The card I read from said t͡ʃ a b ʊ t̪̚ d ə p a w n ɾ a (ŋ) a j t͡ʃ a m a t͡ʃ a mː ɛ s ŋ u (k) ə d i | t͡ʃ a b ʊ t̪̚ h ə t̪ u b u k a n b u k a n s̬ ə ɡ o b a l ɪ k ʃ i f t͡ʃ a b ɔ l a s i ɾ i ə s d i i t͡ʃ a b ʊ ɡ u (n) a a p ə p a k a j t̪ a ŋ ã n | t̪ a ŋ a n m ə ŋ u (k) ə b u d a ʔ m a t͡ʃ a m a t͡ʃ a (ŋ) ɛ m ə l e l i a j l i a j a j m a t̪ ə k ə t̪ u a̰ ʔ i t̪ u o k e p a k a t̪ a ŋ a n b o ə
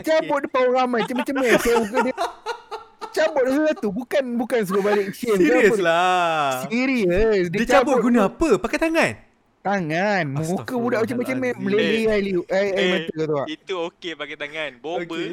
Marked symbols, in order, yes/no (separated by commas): no, yes, yes, yes, no